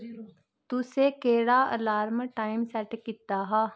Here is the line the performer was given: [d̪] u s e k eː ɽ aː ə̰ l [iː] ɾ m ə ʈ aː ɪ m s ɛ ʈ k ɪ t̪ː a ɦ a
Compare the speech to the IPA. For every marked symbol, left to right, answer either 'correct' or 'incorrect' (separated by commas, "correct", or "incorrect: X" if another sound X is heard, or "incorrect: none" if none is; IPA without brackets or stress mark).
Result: incorrect: t̪, incorrect: aː